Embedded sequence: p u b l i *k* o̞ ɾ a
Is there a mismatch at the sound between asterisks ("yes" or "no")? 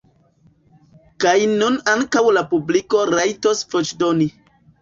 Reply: no